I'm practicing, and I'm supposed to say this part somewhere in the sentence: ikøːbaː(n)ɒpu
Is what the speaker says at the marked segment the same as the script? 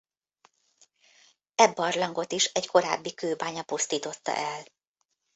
no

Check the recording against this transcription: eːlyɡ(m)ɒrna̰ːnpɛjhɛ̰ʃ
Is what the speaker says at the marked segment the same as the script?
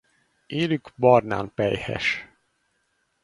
no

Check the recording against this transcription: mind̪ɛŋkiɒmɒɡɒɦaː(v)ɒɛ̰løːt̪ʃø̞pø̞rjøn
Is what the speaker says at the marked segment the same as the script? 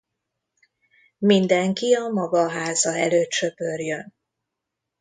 no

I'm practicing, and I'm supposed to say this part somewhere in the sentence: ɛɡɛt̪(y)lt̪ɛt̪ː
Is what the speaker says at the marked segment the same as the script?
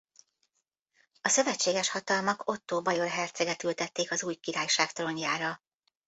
yes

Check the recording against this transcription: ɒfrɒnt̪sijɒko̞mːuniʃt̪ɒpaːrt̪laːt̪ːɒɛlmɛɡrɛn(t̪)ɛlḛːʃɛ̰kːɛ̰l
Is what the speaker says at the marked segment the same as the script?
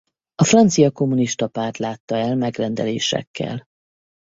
no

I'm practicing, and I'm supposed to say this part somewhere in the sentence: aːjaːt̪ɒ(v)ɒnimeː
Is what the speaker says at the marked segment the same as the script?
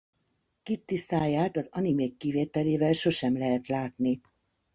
no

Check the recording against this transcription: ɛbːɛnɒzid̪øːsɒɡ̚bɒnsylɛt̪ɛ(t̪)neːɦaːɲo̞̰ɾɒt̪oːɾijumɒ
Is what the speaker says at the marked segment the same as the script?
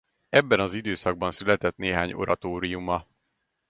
yes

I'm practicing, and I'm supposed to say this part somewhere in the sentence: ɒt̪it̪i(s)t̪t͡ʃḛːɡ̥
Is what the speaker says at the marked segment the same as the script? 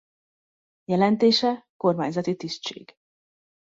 yes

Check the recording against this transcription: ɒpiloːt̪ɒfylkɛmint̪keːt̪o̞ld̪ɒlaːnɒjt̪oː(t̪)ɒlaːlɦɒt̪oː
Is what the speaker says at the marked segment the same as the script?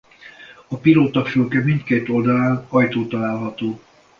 yes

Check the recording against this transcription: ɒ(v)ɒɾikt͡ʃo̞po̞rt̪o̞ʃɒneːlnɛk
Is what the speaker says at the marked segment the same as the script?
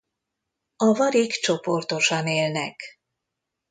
yes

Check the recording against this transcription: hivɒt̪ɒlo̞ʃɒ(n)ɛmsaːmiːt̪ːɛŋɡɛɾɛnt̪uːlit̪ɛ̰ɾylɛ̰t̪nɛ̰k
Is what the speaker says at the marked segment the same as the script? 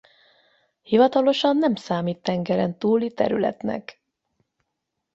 no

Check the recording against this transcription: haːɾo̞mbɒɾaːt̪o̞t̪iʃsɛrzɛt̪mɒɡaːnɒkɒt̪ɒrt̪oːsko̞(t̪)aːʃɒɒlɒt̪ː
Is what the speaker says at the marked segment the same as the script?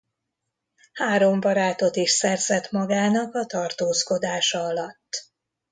no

